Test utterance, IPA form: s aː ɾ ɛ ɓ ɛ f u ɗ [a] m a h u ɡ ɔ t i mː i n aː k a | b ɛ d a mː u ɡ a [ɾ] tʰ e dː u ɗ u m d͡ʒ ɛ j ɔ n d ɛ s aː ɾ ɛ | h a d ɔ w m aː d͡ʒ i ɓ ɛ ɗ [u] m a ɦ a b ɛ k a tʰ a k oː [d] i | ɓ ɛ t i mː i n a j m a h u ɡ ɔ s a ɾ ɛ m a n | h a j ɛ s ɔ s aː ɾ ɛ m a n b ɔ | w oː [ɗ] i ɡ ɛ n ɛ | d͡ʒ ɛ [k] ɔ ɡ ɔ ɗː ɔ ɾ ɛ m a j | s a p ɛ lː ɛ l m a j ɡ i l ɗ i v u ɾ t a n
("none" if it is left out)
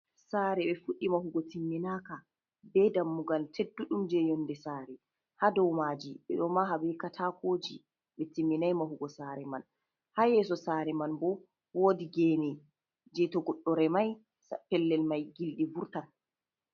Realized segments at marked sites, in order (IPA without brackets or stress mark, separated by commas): i, l, ɔ, d͡ʒ, d, t